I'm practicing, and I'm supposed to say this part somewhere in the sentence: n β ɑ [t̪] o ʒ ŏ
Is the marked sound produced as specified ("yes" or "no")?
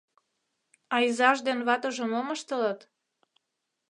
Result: yes